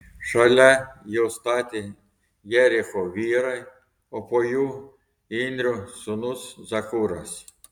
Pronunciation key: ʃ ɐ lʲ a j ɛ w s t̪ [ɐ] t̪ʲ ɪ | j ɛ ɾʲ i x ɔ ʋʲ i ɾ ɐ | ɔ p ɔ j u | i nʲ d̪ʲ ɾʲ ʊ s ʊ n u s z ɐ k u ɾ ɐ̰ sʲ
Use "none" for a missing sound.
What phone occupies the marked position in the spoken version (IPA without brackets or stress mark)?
ɑ